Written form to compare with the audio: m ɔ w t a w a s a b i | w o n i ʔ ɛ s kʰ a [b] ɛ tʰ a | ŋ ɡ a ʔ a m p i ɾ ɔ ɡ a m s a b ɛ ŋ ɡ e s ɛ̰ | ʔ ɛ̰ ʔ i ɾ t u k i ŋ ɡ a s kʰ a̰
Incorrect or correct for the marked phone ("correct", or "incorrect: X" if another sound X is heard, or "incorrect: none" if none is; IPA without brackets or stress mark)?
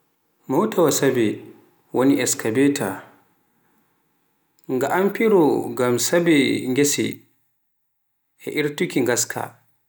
correct